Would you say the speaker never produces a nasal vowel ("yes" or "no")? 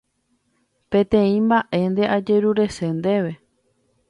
no